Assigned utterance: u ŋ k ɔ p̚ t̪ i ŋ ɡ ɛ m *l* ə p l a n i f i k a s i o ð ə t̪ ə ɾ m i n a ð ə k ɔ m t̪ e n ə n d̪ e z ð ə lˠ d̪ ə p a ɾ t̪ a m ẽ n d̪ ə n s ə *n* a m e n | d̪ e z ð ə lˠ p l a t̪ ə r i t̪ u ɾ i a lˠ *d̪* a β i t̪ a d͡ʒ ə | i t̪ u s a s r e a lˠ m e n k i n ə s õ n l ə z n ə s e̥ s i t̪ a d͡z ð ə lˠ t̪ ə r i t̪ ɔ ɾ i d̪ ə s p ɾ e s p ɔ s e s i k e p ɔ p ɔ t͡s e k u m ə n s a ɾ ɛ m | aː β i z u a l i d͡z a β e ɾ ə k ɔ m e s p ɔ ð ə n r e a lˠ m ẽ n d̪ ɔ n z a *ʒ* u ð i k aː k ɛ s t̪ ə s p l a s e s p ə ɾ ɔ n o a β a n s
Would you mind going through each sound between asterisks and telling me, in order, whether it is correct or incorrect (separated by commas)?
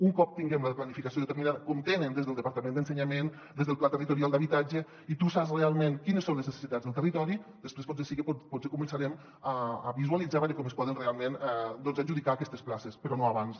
correct, incorrect, correct, correct